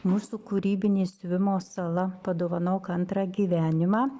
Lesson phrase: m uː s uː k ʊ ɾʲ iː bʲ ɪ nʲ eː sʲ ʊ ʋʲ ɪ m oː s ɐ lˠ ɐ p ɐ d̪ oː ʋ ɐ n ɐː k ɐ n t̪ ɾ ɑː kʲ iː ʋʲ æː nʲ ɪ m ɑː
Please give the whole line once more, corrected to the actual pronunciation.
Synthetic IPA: m uː s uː k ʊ ɾʲ iː bʲ ɪ nʲ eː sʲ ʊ ʋʲ ɪ m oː s ɐ lˠ ɐ p ɐ d̪ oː ʋ ɐ n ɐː k ɐ n t̪ ɾ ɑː ɡʲ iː ʋʲ æː nʲ ɪ m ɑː